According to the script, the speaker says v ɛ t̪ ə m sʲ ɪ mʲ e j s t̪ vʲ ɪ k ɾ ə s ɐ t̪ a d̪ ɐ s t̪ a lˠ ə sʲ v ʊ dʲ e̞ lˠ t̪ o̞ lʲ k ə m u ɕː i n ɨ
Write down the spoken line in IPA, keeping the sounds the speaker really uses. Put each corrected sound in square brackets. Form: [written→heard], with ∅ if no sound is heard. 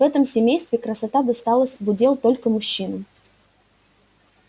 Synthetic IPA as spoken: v ɛ t̪ ə m sʲ ɪ mʲ e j s t̪ vʲ ɪ k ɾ ə s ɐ t̪ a d̪ ɐ s t̪ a lˠ ə sʲ v ʊ dʲ e̞ lˠ t̪ o̞ lʲ k ə m [u→ʊ] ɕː i n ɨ